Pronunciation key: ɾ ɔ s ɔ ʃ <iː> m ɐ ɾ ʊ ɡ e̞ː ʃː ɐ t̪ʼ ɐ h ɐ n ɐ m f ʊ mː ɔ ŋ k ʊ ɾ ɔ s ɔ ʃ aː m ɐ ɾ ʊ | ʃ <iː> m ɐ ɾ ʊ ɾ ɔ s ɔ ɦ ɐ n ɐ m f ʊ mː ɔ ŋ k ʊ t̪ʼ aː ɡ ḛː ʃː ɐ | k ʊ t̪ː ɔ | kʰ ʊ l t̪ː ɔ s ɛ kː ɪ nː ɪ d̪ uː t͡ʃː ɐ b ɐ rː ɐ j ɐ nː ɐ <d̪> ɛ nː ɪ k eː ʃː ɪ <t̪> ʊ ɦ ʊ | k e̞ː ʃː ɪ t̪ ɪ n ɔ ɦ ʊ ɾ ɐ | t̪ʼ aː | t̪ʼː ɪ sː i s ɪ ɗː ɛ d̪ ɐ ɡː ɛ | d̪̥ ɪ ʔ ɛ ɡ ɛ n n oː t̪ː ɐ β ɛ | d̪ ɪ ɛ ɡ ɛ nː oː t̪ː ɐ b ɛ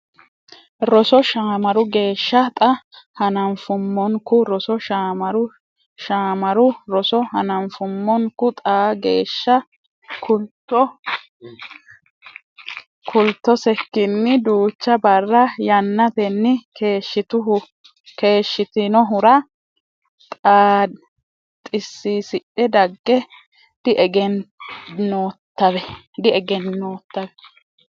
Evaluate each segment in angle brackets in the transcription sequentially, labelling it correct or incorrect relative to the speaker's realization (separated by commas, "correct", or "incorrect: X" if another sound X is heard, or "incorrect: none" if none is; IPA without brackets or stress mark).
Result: incorrect: aː, incorrect: aː, incorrect: t̪, correct